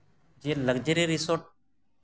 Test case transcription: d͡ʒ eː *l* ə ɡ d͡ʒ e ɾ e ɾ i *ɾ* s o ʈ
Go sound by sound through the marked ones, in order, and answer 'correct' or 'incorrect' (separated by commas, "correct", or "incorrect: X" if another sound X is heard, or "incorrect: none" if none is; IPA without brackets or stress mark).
correct, incorrect: none